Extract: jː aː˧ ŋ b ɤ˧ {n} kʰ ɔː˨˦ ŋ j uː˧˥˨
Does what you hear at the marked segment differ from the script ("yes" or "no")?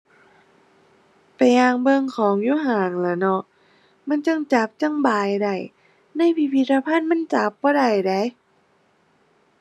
yes